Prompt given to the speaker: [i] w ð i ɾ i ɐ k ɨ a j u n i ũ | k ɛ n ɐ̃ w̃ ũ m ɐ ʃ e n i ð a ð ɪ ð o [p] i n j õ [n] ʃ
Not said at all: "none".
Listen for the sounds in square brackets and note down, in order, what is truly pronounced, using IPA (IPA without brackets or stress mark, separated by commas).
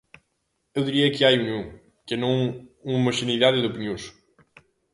e, p, none